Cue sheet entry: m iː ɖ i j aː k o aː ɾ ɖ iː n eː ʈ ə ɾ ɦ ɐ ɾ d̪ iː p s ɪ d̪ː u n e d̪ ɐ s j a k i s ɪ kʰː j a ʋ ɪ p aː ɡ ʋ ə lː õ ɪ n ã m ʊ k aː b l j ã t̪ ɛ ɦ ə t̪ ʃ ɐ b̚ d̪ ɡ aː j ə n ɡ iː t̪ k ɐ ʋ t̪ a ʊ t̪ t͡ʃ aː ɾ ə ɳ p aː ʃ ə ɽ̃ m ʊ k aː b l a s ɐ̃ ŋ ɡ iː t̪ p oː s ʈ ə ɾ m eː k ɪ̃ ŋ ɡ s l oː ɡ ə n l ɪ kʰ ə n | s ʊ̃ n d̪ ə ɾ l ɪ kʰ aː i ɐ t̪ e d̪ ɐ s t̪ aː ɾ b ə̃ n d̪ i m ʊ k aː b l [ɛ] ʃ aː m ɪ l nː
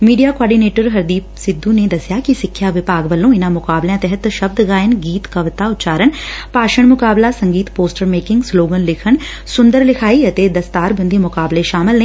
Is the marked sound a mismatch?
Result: yes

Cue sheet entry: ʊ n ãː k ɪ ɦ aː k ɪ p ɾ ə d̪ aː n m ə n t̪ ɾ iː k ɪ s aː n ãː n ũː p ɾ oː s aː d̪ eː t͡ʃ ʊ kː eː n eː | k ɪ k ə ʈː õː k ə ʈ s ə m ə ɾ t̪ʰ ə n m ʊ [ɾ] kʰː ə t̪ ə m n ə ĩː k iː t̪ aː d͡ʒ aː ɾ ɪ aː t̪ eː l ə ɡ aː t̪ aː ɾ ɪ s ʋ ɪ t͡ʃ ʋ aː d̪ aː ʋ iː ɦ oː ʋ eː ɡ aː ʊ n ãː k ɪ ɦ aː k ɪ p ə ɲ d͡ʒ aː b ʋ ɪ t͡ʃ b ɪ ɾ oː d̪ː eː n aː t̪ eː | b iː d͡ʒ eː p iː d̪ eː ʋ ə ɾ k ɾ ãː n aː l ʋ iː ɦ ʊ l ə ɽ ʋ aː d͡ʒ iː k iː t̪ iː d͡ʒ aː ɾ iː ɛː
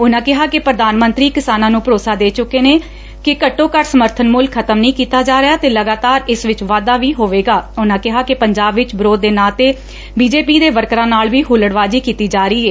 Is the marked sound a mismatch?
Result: yes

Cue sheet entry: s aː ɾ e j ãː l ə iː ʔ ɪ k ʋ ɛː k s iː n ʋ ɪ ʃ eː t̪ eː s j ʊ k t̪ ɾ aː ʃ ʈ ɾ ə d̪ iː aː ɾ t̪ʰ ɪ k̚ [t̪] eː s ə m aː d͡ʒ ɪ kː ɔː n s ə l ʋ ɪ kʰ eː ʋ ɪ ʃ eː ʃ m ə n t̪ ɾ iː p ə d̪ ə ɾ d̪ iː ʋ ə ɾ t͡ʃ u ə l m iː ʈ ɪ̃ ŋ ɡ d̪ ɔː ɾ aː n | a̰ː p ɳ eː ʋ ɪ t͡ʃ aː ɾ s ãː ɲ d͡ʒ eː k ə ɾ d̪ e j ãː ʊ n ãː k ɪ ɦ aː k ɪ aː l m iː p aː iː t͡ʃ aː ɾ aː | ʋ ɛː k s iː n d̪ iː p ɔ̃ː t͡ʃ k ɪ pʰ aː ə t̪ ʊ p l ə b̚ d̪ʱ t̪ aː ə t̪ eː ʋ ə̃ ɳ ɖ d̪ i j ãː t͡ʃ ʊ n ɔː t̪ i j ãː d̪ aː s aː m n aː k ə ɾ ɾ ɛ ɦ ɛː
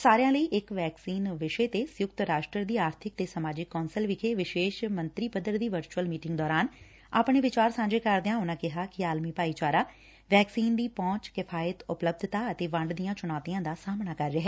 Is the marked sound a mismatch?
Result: no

